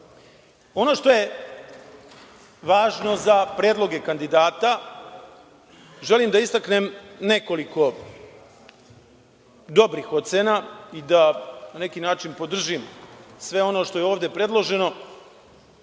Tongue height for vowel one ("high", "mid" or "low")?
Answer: mid